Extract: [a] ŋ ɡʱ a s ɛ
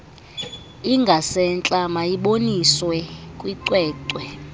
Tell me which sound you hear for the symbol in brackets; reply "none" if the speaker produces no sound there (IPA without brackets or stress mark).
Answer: i